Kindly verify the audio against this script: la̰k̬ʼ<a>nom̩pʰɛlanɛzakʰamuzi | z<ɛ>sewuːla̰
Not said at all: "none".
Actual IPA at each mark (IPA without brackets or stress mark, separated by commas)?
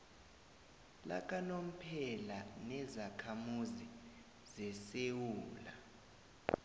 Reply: a, ɛ